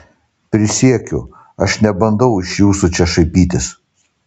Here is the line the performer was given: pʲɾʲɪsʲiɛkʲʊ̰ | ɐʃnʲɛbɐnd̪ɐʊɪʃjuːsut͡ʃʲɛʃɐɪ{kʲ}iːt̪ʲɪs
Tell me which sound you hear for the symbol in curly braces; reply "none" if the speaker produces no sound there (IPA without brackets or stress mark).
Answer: pʲ